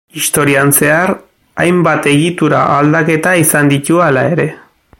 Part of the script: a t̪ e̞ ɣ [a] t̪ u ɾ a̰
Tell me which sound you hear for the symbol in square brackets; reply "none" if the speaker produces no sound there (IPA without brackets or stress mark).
i